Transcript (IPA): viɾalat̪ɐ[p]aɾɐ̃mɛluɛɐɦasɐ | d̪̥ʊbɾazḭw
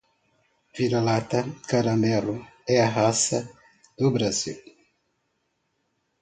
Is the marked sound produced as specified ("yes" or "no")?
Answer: no